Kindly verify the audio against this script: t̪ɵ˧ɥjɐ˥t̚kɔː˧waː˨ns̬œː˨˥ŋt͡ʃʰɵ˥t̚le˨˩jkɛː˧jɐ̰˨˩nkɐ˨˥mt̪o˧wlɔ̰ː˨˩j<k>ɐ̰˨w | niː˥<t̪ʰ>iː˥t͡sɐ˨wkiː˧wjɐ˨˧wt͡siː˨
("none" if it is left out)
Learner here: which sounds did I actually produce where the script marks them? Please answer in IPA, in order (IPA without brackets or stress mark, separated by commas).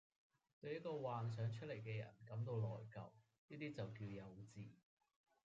k, t̪